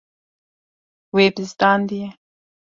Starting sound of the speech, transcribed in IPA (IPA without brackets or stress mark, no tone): w